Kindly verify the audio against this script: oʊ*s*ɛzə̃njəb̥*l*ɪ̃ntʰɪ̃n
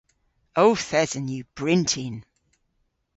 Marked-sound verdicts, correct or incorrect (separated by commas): incorrect, incorrect